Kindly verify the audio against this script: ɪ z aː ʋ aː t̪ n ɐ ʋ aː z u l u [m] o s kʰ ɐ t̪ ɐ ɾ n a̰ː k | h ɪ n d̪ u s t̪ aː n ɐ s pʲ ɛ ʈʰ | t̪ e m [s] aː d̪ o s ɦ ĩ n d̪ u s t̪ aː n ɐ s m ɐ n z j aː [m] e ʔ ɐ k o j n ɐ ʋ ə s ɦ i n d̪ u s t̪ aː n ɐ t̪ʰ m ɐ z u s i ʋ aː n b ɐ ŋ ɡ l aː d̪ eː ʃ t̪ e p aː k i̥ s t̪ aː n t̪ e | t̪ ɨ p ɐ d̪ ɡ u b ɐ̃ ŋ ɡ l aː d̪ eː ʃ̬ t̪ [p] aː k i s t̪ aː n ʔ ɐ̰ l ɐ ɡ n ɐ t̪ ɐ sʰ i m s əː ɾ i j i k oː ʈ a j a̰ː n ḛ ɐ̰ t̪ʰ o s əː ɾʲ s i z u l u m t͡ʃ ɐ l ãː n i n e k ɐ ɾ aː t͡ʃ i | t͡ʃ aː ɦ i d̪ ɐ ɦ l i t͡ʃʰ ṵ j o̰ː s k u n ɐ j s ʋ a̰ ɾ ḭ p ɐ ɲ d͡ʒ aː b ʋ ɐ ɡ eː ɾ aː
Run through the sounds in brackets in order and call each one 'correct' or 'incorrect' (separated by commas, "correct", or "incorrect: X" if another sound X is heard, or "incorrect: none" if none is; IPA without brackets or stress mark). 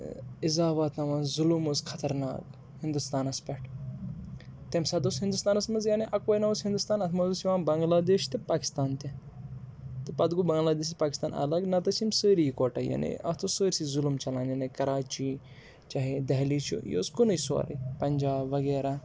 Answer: correct, correct, incorrect: n, correct